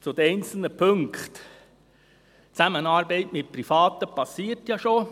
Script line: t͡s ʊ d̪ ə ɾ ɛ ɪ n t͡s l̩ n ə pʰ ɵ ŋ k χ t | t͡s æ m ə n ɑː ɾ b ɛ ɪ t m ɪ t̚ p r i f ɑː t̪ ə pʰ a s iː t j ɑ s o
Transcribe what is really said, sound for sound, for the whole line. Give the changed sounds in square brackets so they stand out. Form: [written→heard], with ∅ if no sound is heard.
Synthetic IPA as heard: t͡s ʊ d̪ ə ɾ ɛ ɪ n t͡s l̩ n ə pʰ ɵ ŋ k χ t | t͡s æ m ə n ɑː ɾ b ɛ ɪ t m ɪ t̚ p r i f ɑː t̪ ə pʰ [a→ɑ] s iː t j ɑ [s→ʃ] o